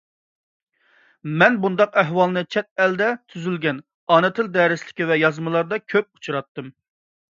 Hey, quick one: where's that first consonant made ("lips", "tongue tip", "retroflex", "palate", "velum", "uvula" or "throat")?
lips